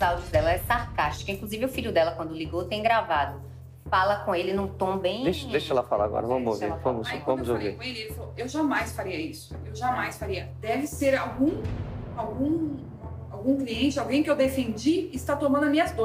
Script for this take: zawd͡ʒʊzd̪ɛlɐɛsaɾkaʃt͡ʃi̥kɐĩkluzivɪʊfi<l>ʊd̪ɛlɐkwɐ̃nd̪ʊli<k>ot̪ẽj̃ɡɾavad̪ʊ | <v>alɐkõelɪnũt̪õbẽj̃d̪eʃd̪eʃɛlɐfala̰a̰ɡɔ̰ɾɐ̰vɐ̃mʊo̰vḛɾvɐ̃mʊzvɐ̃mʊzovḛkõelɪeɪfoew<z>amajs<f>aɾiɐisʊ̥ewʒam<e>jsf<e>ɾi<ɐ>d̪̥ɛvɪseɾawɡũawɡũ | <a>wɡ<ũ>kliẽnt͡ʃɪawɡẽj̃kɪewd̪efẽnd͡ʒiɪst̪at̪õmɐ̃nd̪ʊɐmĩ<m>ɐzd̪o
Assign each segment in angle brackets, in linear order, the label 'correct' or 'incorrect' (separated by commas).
incorrect, incorrect, incorrect, incorrect, correct, incorrect, incorrect, correct, correct, correct, incorrect